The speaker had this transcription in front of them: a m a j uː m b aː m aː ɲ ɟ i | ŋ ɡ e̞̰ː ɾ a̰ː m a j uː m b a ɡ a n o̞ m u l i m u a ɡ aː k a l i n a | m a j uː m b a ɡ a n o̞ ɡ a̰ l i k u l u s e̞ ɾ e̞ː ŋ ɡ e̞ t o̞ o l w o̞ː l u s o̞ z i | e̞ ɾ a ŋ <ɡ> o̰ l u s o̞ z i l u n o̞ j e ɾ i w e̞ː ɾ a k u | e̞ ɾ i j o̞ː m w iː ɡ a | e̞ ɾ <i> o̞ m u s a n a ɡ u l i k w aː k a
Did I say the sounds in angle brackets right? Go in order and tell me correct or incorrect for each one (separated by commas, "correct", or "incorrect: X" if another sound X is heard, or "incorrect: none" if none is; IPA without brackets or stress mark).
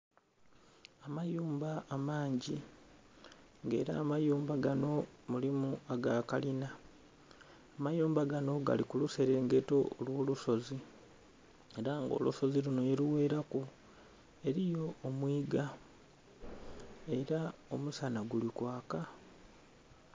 correct, incorrect: a